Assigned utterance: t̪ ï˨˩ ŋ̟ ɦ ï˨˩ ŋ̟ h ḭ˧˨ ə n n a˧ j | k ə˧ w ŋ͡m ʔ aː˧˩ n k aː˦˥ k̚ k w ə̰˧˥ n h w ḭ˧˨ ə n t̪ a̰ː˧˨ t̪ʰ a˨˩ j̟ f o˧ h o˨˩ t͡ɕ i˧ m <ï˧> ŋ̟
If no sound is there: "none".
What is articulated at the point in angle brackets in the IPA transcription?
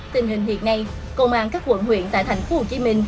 ï˧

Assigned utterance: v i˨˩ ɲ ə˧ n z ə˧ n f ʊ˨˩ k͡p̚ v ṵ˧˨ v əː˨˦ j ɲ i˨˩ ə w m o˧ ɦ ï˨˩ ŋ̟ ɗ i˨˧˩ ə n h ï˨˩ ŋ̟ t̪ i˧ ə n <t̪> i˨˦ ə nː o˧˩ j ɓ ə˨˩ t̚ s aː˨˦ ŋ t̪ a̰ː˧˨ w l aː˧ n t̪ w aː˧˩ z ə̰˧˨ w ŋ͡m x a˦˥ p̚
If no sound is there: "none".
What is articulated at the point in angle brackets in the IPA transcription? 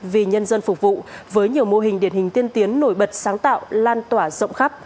t̪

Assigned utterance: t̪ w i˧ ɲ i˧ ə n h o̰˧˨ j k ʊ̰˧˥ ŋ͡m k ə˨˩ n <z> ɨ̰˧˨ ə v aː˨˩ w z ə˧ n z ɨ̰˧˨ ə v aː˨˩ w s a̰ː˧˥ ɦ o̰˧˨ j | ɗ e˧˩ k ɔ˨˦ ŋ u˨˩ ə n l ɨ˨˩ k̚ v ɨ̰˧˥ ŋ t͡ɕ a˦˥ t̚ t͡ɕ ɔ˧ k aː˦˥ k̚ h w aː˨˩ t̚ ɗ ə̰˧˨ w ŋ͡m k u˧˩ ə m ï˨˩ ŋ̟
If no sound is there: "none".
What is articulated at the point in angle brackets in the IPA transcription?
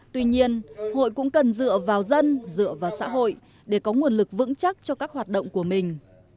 z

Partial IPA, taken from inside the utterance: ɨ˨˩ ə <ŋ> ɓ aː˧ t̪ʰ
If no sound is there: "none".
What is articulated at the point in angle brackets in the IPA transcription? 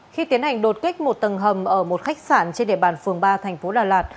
ŋ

